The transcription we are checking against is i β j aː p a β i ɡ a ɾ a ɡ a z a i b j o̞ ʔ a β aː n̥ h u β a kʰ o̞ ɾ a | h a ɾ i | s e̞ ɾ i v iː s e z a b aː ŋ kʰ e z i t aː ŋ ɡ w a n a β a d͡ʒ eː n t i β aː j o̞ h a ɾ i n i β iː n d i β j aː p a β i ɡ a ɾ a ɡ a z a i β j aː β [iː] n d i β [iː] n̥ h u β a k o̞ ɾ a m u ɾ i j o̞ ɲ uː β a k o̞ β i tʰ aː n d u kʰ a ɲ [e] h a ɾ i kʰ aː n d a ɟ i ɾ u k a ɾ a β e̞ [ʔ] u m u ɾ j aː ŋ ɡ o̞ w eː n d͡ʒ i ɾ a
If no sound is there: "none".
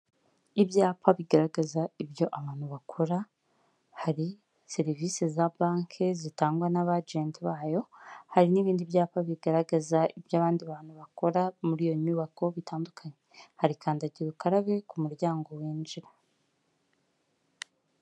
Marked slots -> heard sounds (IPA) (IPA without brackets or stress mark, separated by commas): aː, aː, e, k